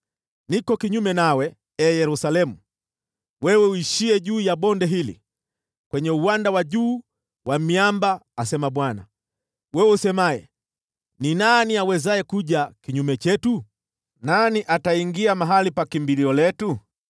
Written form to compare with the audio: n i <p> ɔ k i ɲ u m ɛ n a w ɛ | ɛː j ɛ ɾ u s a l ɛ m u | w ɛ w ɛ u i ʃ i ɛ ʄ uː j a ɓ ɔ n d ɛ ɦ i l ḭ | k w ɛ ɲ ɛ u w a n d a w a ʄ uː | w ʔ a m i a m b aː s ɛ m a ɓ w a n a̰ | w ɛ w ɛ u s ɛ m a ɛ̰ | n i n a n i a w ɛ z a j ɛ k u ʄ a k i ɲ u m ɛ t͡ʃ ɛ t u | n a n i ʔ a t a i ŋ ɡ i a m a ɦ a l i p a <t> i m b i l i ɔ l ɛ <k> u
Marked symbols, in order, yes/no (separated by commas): no, no, no